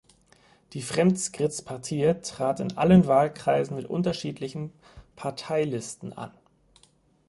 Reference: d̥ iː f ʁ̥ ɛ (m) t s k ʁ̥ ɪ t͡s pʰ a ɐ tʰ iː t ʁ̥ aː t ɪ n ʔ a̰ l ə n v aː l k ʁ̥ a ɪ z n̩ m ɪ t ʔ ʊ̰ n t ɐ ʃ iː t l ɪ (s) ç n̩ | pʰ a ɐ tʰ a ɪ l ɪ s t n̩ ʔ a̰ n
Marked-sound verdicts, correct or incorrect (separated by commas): correct, incorrect